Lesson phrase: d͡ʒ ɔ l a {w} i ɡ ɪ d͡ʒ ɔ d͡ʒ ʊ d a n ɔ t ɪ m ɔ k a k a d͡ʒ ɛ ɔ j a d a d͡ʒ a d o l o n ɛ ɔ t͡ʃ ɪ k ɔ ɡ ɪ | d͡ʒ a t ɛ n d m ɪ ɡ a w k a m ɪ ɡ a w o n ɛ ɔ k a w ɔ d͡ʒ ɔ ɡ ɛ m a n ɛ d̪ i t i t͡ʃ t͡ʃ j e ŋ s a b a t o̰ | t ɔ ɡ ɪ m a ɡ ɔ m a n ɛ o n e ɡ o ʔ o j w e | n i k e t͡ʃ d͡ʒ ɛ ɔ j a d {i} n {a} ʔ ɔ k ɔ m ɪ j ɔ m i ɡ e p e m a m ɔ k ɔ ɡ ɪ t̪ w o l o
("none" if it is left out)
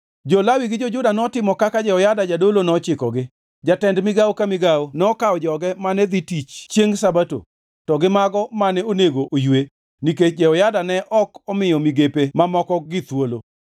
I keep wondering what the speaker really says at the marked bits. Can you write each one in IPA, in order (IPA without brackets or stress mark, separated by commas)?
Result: w, a, ɛ